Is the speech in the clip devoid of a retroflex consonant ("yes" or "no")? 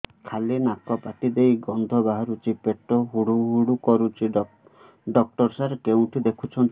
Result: no